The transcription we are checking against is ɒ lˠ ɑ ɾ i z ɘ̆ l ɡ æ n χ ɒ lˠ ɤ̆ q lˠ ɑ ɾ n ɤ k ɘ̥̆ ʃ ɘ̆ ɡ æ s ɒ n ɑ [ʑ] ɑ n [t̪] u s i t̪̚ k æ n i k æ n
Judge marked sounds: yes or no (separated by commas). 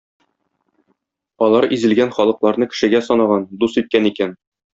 no, no